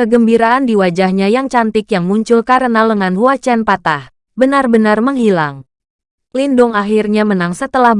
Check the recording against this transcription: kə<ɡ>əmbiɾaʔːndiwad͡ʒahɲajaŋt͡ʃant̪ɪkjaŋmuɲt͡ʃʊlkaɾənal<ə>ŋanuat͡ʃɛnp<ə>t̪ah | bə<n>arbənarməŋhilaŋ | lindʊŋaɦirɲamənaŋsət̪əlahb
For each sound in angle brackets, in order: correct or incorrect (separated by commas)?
correct, correct, incorrect, correct